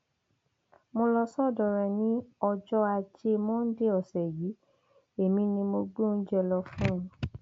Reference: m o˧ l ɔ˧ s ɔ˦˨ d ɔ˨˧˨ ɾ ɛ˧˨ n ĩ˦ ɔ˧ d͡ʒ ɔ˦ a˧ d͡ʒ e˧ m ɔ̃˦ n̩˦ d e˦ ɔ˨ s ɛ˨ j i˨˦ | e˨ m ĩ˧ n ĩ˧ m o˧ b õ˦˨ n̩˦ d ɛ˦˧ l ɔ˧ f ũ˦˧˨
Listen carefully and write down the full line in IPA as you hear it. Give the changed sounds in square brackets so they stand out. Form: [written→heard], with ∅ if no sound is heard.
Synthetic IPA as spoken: m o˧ l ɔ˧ s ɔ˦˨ d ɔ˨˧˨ ɾ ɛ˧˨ n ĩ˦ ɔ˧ d͡ʒ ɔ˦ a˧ d͡ʒ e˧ m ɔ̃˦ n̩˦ d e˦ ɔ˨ s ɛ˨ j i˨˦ | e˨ m ĩ˧ n ĩ˧ m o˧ [b→ɡ͡b] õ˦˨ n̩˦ [d→d͡ʒ] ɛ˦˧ l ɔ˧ f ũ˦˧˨

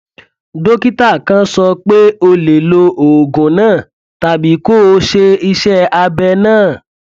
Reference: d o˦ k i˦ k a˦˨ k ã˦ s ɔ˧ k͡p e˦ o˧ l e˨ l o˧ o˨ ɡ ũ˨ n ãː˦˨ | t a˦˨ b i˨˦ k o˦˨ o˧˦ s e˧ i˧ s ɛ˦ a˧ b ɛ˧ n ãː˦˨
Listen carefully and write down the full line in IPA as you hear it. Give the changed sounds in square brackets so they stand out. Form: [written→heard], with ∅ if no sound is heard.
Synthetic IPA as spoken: d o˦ k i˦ [k→t] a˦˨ k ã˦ s ɔ˧ k͡p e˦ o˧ l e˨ l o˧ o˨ ɡ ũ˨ n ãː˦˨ | t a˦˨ b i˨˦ k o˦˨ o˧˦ [s→ʃ] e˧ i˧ [s→ʃ] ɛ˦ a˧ b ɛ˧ n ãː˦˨

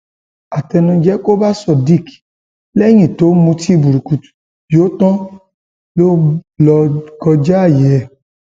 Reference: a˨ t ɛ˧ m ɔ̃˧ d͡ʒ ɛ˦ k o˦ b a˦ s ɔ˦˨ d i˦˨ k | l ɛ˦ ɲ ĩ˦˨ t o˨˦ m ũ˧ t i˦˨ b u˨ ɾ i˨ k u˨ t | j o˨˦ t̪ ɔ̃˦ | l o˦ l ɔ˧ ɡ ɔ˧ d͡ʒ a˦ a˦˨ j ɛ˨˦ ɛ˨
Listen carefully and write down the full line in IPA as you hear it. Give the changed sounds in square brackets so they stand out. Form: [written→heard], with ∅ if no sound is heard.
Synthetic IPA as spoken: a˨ t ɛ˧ [m→n] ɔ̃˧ d͡ʒ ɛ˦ k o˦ b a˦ s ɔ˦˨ d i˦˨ k | l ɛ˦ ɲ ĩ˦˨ t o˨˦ m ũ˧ t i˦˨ b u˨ ɾ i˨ k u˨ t | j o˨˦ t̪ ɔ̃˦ | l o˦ l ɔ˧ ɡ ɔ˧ d͡ʒ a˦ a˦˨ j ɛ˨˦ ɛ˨

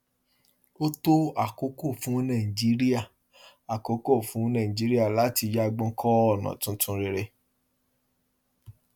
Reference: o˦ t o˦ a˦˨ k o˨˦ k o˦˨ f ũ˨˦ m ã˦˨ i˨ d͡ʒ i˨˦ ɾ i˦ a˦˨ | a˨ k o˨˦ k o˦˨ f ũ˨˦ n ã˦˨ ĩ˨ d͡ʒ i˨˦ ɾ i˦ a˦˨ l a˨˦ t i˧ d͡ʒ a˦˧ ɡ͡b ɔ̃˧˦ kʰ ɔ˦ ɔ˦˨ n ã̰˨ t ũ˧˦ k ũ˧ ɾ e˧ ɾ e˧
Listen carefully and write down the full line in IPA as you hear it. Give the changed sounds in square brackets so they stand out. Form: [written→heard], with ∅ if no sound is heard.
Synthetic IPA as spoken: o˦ t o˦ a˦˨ k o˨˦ k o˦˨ f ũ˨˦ [m→n] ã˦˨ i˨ d͡ʒ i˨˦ ɾ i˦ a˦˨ | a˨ k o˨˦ k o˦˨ f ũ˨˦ n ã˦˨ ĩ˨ d͡ʒ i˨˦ ɾ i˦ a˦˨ l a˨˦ t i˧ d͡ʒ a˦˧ ɡ͡b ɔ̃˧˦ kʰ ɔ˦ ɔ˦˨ n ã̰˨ t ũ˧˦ [k→t] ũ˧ ɾ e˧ ɾ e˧

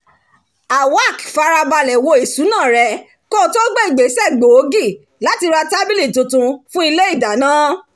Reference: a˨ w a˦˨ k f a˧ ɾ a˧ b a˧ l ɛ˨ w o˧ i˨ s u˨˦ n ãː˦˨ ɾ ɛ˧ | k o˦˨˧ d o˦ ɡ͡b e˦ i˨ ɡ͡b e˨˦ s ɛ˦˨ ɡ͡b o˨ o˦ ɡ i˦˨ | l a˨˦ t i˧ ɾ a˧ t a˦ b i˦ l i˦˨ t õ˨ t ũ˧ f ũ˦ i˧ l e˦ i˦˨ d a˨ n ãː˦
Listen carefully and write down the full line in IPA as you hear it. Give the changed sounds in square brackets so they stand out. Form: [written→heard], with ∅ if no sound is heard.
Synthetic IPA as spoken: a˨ w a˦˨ k f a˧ ɾ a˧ b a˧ l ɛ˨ w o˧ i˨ s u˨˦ n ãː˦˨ ɾ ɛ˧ | k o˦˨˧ [d→t] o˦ ɡ͡b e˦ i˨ ɡ͡b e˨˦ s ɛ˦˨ ɡ͡b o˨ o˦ ɡ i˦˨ | l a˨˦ t i˧ ɾ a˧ t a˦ b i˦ l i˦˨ t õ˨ t ũ˧ f ũ˦ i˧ l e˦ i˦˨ d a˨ n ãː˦

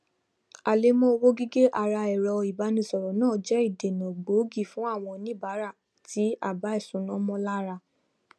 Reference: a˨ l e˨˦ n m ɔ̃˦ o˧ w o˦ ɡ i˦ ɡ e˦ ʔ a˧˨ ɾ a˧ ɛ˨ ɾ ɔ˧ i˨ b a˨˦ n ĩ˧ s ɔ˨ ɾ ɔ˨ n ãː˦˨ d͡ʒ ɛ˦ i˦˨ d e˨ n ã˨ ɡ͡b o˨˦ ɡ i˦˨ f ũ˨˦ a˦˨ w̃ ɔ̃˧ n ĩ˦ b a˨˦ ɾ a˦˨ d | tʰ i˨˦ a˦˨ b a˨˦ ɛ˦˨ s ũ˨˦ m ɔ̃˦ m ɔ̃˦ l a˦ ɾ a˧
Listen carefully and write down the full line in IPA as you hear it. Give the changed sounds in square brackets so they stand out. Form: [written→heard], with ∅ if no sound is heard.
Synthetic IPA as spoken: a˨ l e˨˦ [n→∅] m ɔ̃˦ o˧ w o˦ ɡ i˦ ɡ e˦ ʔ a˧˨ ɾ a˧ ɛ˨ ɾ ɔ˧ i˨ b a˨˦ n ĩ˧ s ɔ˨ ɾ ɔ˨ n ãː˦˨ d͡ʒ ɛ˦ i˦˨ d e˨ n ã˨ ɡ͡b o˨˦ ɡ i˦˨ f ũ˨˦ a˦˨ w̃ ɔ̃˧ n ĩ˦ b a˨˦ ɾ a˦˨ [d→∅] | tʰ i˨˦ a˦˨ b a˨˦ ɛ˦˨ s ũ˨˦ [m→n] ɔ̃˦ m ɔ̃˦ l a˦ ɾ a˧

